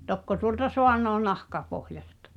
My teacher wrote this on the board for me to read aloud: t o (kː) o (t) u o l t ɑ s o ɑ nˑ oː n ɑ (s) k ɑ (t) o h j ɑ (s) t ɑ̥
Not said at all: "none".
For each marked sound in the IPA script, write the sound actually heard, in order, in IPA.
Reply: kː, t, h, p, s

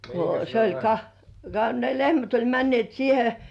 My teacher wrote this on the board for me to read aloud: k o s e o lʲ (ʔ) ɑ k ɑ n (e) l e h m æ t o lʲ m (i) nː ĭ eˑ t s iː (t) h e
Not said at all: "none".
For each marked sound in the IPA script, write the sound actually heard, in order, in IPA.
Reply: k, e, æ, none

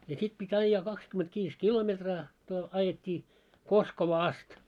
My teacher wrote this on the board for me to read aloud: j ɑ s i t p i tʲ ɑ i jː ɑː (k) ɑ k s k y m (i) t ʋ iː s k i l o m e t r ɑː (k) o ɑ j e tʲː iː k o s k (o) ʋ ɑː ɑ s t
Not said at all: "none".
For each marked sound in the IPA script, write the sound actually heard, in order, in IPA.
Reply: k, e, t, o

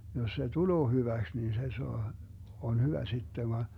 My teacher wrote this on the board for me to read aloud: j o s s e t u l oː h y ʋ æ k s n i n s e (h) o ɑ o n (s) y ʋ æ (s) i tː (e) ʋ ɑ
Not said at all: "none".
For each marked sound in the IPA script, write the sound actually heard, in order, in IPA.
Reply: s, h, s, e

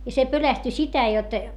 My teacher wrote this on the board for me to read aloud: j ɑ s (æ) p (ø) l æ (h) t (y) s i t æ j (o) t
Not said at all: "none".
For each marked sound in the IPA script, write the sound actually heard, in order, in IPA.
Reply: e, ø, s, y, o

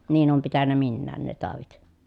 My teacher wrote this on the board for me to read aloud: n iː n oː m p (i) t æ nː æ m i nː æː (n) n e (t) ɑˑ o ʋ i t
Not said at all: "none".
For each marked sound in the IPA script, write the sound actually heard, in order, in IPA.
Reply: i, n, t

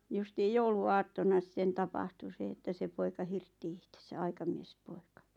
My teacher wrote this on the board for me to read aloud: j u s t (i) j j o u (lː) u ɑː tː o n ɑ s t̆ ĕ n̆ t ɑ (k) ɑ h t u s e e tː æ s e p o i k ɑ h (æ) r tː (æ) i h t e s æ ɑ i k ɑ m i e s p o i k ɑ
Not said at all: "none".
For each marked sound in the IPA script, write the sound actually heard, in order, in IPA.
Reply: iː, l, p, i, i

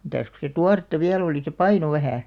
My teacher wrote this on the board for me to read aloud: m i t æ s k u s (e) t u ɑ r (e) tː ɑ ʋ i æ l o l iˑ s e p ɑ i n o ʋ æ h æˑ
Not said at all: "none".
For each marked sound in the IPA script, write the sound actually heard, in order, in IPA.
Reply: e, e

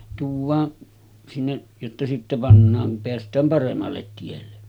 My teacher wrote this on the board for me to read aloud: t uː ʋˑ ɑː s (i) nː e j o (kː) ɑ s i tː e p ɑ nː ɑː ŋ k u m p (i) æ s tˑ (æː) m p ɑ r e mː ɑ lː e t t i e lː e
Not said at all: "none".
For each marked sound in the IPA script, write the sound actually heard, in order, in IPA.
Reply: i, tː, e, æː

